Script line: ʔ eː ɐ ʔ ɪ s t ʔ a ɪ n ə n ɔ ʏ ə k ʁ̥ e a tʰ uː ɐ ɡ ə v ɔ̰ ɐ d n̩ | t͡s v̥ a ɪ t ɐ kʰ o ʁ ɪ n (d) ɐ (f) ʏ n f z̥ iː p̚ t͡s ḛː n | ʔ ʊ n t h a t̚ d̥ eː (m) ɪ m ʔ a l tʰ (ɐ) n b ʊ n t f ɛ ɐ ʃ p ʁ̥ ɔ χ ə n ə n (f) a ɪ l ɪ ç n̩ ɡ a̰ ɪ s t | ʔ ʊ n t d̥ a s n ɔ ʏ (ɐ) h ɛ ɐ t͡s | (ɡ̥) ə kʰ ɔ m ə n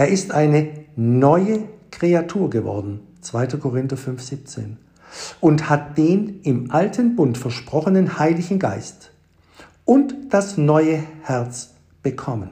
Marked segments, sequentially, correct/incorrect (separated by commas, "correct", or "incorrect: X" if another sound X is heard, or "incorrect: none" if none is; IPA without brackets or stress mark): incorrect: t, correct, incorrect: n, incorrect: ə, incorrect: h, incorrect: ə, incorrect: b̥